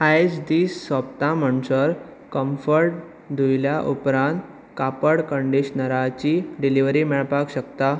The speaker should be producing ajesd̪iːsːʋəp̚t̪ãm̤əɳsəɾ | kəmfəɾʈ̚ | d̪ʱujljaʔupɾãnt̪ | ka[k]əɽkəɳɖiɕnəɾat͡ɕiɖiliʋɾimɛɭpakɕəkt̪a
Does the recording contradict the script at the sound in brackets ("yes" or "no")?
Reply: yes